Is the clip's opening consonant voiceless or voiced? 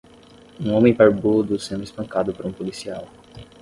voiced